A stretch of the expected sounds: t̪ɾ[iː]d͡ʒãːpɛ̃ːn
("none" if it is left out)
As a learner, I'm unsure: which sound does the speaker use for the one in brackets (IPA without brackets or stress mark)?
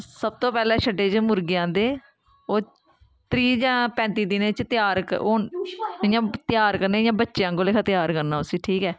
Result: iː